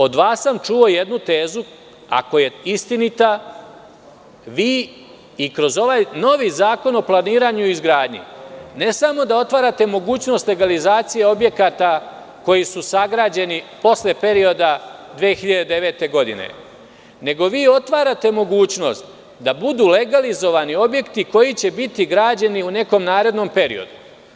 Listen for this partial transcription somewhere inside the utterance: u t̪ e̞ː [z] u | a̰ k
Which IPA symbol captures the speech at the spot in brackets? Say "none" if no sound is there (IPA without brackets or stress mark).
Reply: z